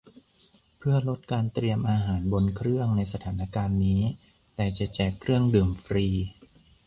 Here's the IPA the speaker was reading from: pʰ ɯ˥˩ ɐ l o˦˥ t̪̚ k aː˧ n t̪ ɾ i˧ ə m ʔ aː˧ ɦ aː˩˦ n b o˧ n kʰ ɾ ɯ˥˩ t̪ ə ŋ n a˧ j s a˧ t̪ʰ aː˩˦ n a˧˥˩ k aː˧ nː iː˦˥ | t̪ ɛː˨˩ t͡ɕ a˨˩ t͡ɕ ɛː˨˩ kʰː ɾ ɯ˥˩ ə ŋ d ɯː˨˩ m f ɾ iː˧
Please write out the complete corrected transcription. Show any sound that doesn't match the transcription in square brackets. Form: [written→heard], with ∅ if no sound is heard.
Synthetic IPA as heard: pʰ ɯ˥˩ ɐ l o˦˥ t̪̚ k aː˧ n t̪ ɾ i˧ ə m ʔ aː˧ ɦ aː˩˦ n b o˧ n kʰ ɾ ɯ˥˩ [t̪→∅] ə ŋ n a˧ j s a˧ t̪ʰ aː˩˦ n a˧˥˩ k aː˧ nː iː˦˥ | t̪ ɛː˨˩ t͡ɕ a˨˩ t͡ɕ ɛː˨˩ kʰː ɾ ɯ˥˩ ə ŋ d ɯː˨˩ m f ɾ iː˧